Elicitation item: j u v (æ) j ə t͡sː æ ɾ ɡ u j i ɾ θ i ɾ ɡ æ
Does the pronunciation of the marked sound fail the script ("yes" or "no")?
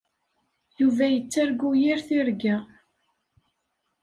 no